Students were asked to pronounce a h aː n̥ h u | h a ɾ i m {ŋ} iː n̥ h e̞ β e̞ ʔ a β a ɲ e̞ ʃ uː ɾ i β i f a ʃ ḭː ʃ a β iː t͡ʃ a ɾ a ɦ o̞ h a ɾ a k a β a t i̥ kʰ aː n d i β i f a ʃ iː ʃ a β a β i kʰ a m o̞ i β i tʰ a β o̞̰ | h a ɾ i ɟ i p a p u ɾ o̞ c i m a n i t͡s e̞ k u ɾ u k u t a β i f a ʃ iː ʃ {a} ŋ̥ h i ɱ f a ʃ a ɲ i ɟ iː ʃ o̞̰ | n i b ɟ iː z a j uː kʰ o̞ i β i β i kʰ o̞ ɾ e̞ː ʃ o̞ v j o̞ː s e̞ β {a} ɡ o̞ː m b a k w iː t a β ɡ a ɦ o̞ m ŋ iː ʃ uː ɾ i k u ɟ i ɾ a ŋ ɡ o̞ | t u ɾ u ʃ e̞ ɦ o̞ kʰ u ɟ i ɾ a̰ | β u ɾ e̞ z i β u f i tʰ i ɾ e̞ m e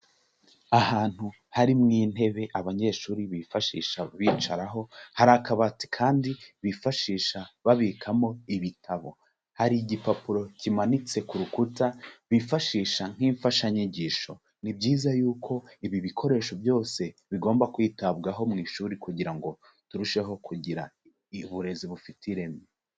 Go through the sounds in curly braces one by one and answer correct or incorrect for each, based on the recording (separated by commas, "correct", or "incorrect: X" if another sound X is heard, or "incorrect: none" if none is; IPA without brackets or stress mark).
correct, correct, incorrect: i